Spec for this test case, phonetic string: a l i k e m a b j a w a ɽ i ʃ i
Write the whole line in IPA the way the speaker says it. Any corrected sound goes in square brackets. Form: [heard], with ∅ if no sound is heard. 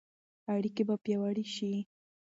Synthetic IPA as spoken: a [ɽ] i k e [b] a [p] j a w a ɽ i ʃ i

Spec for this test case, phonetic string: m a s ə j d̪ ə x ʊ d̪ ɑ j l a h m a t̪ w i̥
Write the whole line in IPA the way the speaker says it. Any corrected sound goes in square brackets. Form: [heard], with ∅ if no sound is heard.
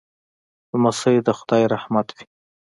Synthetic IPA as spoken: m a s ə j d̪ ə x ʊ d̪ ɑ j [ɾ] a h m a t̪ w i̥

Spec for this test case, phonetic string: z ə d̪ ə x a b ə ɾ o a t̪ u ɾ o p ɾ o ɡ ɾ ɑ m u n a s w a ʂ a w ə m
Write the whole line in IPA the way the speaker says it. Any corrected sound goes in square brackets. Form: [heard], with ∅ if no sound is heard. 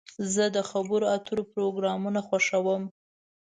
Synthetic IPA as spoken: z ə d̪ ə x a b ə ɾ o a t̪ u ɾ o p ɾ o ɡ ɾ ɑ m u n a [x] w a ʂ a w ə m

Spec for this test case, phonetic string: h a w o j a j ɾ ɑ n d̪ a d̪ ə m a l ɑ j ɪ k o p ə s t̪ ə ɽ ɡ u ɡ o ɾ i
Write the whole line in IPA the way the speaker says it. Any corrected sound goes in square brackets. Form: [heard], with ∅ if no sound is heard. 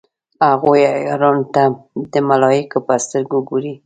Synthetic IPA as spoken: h a [ɣ] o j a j ɾ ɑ n [t̪] a d̪ ə m a l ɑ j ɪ k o p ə s t̪ ə [ɾ] ɡ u ɡ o ɾ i

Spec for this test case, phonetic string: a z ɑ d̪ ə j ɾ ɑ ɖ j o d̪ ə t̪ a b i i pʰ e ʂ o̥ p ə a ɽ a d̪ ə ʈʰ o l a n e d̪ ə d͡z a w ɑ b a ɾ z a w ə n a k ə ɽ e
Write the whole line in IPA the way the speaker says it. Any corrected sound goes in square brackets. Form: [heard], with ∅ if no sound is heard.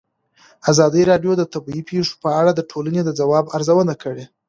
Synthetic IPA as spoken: a z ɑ d̪ ə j ɾ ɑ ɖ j o d̪ ə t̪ a b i i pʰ e ʂ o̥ p ə a ɽ a d̪ ə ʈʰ o l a n e d̪ ə d͡z a w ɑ b a ɾ z a w ə n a k ə ɽ e

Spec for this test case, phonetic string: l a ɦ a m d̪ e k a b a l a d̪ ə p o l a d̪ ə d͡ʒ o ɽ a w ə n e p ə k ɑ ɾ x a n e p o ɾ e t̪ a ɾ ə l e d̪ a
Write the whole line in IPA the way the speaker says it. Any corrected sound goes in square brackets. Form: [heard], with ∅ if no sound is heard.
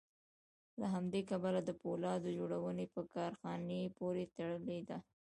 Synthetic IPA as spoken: l a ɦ a m d̪ e k a b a l a d̪ ə p o l [ɑ] d̪ ə d͡ʒ o ɽ a w ə n e p ə k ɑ ɾ x [ɑ] n e p o ɾ e t̪ a [ɽ] ə l e d̪ a

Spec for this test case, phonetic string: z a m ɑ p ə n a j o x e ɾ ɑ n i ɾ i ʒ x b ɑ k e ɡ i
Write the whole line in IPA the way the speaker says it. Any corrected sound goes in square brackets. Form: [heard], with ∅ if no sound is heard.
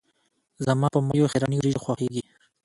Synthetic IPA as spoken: z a m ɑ p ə [m] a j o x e ɾ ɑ n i ɾ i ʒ x [w] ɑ [x] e ɡ i

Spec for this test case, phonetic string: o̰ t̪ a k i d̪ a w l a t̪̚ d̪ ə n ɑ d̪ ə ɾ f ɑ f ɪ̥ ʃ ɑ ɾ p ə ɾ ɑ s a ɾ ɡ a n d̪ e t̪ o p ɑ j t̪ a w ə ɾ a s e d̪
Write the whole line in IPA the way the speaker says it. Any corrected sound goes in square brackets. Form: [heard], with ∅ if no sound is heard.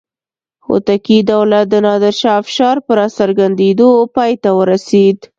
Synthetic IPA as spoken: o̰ t̪ a k i d̪ a w l a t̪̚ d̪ ə n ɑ d̪ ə ɾ [ʃ] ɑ f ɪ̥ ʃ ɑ ɾ p ə ɾ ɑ s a ɾ ɡ a n d̪ e [d̪] o p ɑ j t̪ a w ə ɾ a s e d̪

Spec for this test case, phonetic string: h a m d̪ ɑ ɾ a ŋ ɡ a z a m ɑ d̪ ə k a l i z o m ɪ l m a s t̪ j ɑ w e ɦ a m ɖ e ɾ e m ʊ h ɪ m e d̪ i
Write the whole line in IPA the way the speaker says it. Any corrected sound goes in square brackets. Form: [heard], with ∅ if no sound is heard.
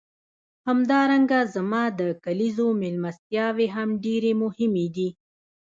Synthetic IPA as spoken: h a m d̪ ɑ ɾ a ŋ ɡ a z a m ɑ d̪ ə k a l i z o m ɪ l m a s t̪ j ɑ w e ɦ a m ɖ e ɾ e m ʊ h ɪ m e d̪ i

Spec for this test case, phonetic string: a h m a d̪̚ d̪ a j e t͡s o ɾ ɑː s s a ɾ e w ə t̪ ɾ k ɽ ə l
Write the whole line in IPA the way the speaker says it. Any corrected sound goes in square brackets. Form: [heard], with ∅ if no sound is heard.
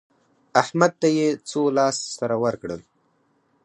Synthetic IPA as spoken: a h m a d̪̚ [t̪] a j e t͡s o [l] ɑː s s a ɾ [a] w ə [∅] ɾ k ɽ ə l

